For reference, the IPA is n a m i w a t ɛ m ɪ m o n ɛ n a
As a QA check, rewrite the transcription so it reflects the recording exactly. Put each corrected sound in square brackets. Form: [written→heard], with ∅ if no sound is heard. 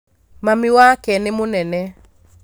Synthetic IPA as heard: [n→m] a m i w a [t→k] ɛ [m→n] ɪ m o n ɛ n [a→ɛ]